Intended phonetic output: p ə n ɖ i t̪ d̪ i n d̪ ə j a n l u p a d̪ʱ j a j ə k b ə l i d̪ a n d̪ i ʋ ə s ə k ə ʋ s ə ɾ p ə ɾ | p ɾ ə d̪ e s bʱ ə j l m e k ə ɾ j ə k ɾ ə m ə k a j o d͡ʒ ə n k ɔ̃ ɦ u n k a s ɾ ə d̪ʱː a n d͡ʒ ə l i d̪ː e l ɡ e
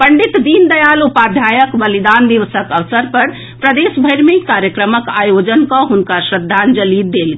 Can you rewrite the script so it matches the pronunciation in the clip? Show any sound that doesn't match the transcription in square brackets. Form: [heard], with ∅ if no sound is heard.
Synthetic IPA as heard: p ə [ɳ] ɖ i t̪ d̪ i n d̪ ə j a [∅] l u p a d̪ʱ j a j ə k b ə l i d̪ a n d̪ i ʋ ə s ə k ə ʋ s ə ɾ p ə ɾ | p ɾ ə d̪ e s bʱ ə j [ɾ] m e k [a] ɾ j ə k ɾ ə m ə k a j o d͡ʒ ə n k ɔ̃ ɦ u n k a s ɾ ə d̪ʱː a n d͡ʒ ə l i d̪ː e l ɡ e